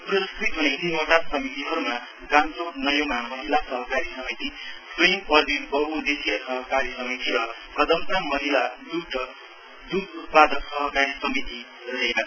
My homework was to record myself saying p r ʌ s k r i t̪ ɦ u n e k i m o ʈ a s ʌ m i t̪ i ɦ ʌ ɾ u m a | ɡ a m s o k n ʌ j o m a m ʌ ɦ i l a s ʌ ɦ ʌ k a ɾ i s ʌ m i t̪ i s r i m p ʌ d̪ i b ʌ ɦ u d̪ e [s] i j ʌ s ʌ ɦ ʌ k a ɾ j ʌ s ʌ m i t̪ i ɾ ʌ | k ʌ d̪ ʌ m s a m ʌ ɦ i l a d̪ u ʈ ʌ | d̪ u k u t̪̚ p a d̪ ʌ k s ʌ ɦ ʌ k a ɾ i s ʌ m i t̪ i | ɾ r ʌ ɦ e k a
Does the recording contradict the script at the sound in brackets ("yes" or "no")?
no